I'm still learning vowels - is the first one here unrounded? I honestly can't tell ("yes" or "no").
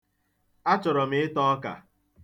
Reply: yes